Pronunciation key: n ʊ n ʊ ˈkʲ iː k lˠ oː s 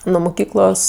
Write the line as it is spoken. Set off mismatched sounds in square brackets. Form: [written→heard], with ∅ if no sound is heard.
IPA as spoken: n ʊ [n→m] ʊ ˈkʲ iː k lˠ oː s

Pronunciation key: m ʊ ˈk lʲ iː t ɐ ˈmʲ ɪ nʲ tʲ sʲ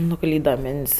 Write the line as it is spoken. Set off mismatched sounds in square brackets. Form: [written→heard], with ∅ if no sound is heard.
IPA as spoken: [m→n] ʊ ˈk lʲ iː [t→d] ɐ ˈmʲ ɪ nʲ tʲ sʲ

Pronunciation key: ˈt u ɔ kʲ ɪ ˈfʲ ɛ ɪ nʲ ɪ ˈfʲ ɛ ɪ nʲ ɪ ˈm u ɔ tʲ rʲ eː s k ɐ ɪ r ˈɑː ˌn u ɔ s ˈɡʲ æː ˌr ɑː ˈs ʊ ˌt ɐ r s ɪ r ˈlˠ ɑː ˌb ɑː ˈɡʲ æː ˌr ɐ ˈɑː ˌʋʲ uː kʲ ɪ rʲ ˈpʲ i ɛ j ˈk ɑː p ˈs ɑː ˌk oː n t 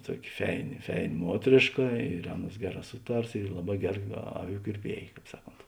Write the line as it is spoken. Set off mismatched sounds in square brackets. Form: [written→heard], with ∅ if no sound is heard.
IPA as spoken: ˈt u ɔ kʲ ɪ ˈfʲ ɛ ɪ nʲ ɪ ˈfʲ ɛ ɪ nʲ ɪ ˈm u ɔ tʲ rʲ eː [s→ʃ] k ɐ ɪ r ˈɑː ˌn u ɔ s ˈɡʲ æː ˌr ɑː ˈs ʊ ˌt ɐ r s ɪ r ˈlˠ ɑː ˌb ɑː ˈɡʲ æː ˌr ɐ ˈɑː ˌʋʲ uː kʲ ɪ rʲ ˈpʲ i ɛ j ˈk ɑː p ˈs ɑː ˌk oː n t

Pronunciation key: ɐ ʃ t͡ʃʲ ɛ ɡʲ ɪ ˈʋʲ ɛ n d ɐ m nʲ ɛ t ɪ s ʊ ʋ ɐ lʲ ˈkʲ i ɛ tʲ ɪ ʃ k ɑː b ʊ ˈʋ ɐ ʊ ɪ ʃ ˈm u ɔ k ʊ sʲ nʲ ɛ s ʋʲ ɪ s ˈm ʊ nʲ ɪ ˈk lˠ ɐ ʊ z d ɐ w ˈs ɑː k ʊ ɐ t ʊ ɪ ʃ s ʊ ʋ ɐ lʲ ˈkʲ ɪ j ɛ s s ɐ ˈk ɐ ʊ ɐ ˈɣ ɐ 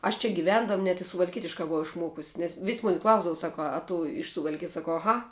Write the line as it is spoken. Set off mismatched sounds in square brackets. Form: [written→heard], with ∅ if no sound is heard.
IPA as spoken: ɐ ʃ t͡ʃʲ ɛ ɡʲ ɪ ˈʋʲ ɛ n d ɐ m nʲ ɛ t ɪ s ʊ ʋ ɐ lʲ ˈkʲ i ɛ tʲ ɪ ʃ k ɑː b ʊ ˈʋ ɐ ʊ ɪ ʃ ˈm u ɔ k ʊ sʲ nʲ ɛ s ʋʲ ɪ s ˈm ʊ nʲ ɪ ˈk lˠ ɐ ʊ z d ɐ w ˈs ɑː k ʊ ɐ t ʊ ɪ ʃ s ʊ ʋ ɐ lʲ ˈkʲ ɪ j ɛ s s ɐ ˈk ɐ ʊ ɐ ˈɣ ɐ

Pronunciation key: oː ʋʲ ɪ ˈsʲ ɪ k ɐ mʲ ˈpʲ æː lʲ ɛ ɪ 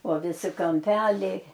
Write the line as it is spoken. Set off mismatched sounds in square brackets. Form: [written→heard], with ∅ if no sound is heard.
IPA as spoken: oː ʋʲ ɪ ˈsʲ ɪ k ɐ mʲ ˈpʲ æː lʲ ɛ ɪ

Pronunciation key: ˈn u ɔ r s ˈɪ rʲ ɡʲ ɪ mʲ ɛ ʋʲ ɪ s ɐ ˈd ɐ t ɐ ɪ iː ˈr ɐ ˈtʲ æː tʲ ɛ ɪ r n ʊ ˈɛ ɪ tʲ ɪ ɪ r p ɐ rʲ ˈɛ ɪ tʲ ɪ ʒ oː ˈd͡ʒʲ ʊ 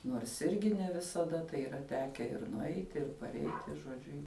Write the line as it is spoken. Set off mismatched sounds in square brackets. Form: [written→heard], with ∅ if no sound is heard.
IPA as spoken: ˈn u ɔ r s ˈɪ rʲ ɡʲ ɪ [mʲ→nʲ] ɛ ʋʲ ɪ s ɐ ˈd ɐ t ɐ ɪ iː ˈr ɐ ˈtʲ æː [tʲ→kʲ] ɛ ɪ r n ʊ ˈɛ ɪ tʲ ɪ ɪ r p ɐ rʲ ˈɛ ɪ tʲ ɪ ʒ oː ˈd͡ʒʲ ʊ

